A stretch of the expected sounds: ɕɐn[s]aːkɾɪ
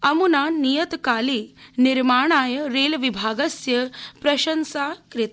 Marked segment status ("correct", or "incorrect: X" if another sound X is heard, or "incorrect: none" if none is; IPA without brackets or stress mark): correct